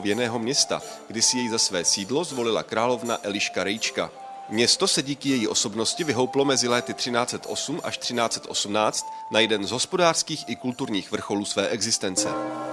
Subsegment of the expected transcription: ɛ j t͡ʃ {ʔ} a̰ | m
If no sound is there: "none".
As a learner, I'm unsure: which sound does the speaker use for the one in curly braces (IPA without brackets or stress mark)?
k